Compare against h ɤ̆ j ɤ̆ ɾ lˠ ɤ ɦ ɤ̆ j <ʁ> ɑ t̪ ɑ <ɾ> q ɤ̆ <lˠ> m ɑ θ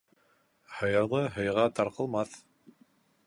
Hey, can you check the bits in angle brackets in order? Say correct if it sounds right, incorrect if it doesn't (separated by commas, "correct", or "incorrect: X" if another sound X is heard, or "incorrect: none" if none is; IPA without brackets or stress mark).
correct, correct, correct